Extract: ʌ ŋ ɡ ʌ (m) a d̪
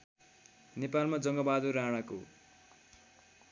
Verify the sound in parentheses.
incorrect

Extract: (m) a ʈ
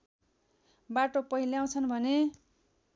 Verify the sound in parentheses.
incorrect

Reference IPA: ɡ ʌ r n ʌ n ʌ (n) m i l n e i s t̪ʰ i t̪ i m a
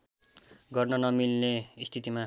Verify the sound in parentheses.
incorrect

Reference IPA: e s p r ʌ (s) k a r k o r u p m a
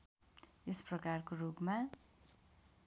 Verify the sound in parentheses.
incorrect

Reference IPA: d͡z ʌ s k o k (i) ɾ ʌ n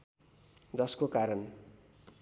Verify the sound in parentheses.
incorrect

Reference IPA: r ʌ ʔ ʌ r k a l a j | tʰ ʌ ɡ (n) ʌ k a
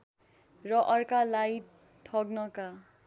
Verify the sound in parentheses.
correct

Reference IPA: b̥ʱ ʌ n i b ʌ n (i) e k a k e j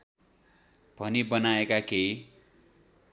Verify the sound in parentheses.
incorrect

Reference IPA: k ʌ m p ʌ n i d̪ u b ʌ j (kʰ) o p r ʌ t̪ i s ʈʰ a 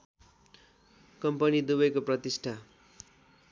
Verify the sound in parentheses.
incorrect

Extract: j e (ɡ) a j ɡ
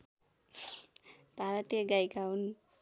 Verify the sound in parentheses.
correct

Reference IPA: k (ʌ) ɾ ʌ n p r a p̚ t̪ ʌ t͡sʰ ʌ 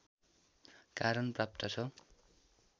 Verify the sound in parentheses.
incorrect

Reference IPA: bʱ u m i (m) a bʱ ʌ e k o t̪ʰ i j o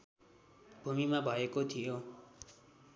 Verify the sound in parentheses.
correct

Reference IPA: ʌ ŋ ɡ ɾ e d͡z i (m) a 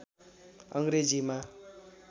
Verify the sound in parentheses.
correct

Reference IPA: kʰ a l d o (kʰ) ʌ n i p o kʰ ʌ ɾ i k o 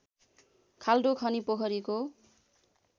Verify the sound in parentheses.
correct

